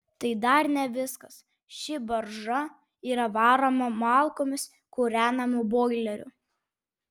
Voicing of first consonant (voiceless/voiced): voiceless